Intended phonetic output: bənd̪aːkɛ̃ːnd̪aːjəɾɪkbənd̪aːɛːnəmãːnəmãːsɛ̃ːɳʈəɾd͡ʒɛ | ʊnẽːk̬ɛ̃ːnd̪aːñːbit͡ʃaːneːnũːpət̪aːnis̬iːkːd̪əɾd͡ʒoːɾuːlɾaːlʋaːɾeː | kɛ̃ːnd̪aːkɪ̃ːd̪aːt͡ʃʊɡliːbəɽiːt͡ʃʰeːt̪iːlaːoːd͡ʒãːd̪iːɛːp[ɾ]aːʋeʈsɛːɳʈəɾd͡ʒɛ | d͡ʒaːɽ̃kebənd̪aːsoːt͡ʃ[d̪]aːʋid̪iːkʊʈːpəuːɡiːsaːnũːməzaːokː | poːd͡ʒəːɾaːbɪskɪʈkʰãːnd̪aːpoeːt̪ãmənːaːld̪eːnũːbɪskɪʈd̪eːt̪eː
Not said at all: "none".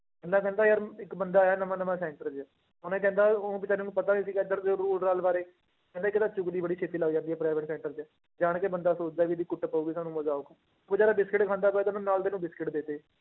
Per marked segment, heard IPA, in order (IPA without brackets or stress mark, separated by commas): ɾ, d̪